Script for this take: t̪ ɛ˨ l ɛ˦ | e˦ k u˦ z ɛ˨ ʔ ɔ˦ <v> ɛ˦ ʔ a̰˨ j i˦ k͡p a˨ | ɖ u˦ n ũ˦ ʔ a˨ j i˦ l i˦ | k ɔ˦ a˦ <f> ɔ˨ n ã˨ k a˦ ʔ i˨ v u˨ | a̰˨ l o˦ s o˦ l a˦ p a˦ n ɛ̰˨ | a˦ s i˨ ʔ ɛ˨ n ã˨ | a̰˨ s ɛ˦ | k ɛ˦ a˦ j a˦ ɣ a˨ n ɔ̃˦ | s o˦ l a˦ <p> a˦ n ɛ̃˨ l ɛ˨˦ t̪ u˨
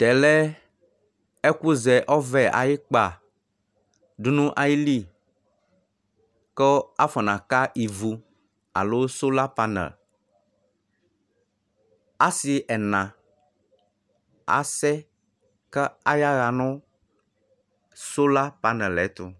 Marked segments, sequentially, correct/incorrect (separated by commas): correct, correct, correct